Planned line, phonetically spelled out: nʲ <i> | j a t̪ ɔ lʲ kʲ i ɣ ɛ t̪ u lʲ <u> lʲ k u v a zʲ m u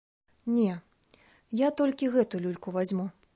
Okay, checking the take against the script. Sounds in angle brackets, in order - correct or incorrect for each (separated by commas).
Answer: incorrect, correct